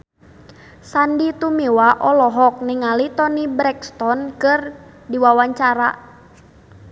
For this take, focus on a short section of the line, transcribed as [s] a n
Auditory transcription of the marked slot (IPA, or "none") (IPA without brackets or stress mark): s